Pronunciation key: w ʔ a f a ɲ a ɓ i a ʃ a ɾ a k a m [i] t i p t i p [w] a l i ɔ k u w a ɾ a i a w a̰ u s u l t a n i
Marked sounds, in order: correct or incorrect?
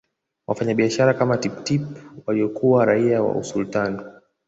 incorrect: a, correct

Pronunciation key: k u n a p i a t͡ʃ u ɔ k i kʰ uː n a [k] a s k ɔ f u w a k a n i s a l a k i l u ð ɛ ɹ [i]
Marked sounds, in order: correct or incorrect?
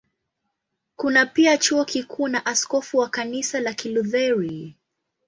incorrect: ʔ, correct

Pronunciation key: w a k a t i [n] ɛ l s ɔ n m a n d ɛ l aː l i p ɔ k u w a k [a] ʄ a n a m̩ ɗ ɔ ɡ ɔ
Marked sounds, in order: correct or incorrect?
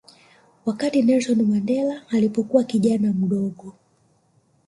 correct, incorrect: i

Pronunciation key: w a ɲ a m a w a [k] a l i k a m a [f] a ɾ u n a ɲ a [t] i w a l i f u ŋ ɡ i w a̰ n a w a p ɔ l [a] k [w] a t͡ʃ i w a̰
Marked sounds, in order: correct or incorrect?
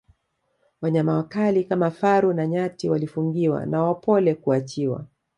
correct, correct, correct, incorrect: ɛ, incorrect: u

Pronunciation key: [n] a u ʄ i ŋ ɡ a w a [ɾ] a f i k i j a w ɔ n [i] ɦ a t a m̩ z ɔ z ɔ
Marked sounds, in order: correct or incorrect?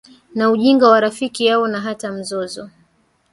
correct, correct, incorrect: a

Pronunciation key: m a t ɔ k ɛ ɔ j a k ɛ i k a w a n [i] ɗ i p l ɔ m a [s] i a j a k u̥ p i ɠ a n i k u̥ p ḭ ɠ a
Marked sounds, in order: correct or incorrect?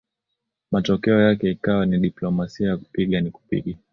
correct, correct

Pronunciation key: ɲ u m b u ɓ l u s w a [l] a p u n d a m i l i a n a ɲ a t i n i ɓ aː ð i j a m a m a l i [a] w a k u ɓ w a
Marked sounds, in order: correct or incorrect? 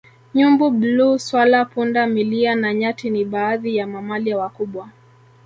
correct, correct

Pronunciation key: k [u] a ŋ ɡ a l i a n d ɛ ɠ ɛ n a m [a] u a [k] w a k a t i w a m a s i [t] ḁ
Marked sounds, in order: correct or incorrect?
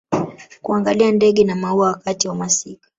correct, correct, incorrect: none, incorrect: k

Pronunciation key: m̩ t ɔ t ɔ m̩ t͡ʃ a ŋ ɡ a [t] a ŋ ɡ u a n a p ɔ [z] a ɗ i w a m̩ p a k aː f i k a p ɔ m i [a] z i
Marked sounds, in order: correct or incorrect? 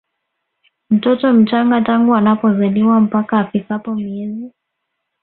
correct, correct, incorrect: ɛ

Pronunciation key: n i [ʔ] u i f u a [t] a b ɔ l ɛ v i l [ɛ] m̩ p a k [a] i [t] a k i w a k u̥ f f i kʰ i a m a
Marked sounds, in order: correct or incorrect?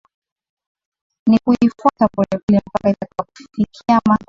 incorrect: k, correct, correct, correct, correct

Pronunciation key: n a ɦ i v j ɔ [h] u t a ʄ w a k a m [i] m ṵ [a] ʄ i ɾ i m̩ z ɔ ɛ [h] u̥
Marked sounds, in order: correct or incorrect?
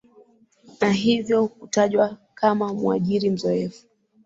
correct, incorrect: a, correct, incorrect: f

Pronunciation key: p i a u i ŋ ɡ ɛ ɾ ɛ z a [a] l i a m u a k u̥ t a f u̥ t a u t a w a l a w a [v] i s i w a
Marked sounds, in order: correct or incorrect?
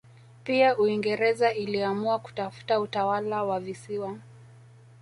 incorrect: i, correct

